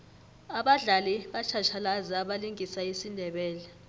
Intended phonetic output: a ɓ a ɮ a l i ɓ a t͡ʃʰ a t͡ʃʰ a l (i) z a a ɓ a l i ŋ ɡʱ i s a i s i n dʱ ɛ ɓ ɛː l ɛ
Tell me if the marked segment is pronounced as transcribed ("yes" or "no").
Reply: no